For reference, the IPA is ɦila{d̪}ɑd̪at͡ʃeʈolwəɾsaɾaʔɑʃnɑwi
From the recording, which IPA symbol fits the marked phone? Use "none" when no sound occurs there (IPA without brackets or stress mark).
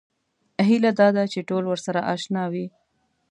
d̪